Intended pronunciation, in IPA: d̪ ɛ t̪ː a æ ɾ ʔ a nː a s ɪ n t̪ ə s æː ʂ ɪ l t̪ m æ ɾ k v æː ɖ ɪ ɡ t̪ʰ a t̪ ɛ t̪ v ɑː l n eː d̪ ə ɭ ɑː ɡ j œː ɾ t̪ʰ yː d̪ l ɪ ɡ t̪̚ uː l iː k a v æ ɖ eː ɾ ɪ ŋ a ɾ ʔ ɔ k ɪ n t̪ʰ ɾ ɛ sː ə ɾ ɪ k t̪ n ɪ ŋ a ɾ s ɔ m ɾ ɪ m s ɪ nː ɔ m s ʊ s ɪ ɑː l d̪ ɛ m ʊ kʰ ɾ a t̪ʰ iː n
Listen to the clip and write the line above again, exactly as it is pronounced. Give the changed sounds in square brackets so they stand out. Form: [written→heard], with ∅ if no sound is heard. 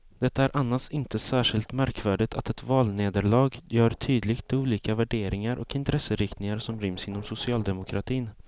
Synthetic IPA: d̪ ɛ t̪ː a æ ɾ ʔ a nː a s ɪ n t̪ ə s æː ʂ ɪ l t̪ m æ ɾ k v æː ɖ ɪ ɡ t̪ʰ a t̪ ɛ t̪ v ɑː l n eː d̪ ə ɭ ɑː ɡ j œː ɾ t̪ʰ yː d̪ l ɪ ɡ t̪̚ uː l iː k a v æ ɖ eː ɾ ɪ ŋ a ɾ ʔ ɔ k ɪ n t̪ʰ ɾ ɛ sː ə ɾ ɪ k t̪ n ɪ ŋ a ɾ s ɔ m ɾ ɪ m s ɪ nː ɔ m s ʊ s ɪ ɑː l d̪ ɛ m ʊ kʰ ɾ a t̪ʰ iː n